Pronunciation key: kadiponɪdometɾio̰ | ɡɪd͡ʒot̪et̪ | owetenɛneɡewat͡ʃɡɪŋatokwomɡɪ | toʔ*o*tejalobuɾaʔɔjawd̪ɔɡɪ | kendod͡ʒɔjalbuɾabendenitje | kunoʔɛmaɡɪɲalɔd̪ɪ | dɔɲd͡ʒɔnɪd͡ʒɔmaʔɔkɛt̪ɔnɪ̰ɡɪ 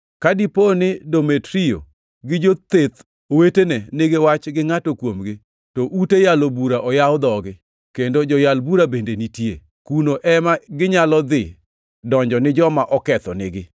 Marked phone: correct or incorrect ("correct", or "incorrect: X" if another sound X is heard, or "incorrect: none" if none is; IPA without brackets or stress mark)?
incorrect: u